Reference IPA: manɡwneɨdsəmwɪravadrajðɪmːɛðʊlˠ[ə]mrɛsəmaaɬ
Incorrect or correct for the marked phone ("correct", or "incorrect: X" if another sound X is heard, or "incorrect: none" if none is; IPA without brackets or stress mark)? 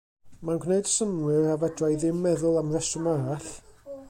incorrect: a